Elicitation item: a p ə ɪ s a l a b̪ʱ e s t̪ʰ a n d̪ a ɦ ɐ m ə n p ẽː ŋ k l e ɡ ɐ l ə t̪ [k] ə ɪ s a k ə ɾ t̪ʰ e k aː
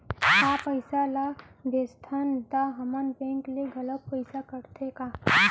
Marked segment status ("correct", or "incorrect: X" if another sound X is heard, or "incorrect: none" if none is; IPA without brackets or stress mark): incorrect: p